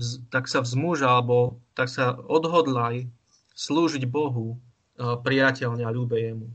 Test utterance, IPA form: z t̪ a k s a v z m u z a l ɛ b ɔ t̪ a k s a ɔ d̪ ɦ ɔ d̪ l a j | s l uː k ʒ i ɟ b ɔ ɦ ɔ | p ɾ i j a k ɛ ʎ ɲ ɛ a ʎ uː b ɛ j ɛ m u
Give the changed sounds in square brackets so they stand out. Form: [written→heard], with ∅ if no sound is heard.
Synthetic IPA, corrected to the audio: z t̪ a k s a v z m u [z→ʒ] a l ɛ b ɔ t̪ a k s a ɔ d̪ ɦ ɔ d̪ l a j | s l uː [k→∅] ʒ i ɟ b ɔ ɦ [ɔ→u] | p ɾ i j a [k→c] ɛ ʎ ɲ ɛ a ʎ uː b ɛ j ɛ m u